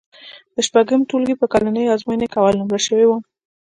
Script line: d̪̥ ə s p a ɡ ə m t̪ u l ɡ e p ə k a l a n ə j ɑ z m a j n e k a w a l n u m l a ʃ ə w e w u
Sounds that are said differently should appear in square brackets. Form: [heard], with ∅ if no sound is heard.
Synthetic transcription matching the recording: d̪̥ ə [ʃ] p a ɡ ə m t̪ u l ɡ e p ə k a l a n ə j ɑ z m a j n e k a w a l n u m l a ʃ ə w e w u